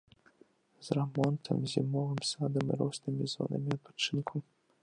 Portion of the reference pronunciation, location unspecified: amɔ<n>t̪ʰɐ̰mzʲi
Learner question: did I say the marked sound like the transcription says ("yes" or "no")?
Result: yes